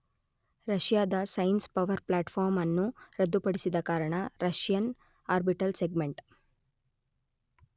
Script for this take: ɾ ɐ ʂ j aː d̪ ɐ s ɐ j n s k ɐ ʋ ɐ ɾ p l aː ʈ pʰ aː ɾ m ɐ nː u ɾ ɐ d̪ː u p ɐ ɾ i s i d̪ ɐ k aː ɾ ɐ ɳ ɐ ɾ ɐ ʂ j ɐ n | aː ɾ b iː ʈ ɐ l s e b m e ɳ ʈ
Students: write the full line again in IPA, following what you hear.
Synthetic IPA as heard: ɾ ɐ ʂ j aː d̪ ɐ s ɐ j n s p ɐ ʋ ɐ ɾ p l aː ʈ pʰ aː ɾ m ɐ nː u ɾ ɐ d̪ː u p ɐ ɽ i s i d̪ ɐ k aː ɾ ɐ ɳ ɐ ɾ ɐ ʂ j ɐ n | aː ɾ b i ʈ ɐ l s e ɡ m e ɳ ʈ